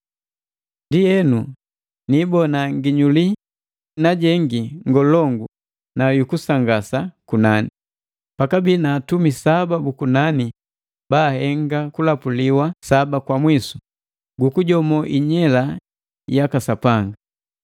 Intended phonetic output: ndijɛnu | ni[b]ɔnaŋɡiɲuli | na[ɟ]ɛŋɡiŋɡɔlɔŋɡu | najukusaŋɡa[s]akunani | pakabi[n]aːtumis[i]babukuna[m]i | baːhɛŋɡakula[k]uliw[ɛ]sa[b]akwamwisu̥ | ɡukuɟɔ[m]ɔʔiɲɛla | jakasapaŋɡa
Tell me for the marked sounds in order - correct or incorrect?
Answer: correct, correct, correct, correct, incorrect, incorrect, incorrect, incorrect, correct, correct

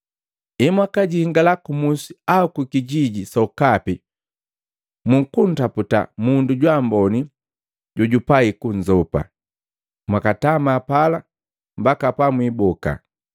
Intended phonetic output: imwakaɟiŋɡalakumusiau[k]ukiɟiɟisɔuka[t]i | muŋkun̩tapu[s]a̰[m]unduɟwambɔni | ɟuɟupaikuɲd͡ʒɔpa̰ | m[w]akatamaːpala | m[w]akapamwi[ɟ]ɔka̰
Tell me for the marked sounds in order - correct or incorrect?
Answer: correct, incorrect, incorrect, correct, correct, incorrect, incorrect

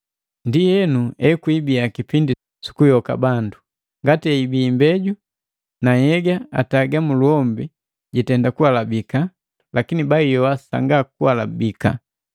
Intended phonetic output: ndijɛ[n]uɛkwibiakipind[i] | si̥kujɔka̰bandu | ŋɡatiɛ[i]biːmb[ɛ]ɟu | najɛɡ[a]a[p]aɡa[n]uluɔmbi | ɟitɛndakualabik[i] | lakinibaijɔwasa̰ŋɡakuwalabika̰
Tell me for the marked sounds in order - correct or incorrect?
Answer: correct, correct, correct, correct, correct, incorrect, incorrect, incorrect

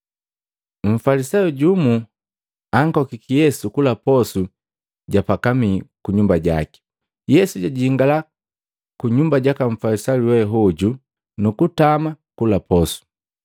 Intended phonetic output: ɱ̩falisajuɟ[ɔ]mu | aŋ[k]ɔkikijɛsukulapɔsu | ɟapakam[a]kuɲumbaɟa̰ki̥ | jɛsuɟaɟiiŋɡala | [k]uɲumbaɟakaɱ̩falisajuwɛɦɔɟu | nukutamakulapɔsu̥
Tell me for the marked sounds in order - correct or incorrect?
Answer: incorrect, correct, incorrect, correct

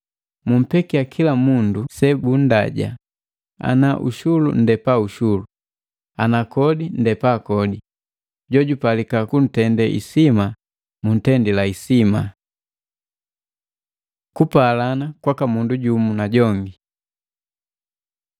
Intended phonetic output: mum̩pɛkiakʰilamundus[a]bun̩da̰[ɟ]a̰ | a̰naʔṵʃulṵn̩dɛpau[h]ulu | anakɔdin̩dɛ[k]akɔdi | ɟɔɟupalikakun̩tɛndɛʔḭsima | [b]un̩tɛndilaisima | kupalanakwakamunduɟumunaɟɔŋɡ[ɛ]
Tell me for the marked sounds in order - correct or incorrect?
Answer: incorrect, correct, incorrect, incorrect, incorrect, incorrect

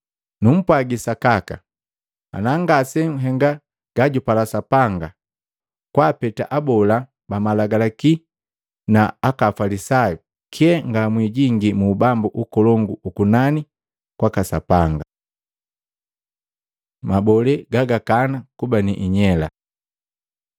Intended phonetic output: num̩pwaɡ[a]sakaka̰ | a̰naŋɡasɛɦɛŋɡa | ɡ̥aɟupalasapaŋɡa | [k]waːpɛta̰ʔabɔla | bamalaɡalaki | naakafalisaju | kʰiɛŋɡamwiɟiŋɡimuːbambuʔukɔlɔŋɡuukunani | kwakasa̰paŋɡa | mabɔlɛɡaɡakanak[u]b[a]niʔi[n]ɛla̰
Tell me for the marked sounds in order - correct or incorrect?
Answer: incorrect, correct, correct, correct, incorrect

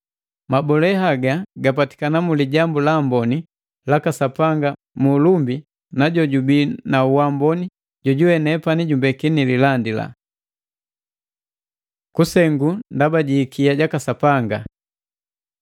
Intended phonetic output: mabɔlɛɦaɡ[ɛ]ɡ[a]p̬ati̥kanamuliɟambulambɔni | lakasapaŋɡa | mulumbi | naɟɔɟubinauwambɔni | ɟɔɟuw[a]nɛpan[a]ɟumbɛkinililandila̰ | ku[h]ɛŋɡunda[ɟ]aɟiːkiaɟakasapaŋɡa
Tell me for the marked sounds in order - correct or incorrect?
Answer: incorrect, correct, incorrect, incorrect, incorrect, incorrect

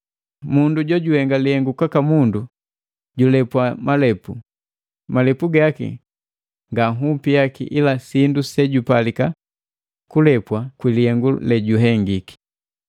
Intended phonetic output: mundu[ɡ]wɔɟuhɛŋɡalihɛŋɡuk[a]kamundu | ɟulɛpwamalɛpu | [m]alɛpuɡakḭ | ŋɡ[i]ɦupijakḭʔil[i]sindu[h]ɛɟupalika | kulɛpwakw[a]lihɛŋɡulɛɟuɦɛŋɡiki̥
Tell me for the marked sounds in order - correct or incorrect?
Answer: incorrect, correct, correct, incorrect, incorrect, incorrect, incorrect

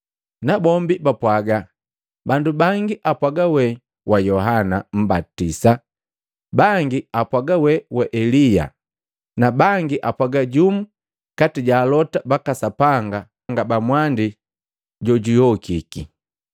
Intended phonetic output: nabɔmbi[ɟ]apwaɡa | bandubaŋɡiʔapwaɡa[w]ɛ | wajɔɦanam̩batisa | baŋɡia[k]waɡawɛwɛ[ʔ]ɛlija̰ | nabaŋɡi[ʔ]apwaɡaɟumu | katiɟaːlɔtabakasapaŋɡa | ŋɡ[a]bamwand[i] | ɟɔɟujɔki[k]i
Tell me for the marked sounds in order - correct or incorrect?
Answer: incorrect, correct, incorrect, correct, correct, correct, correct, correct

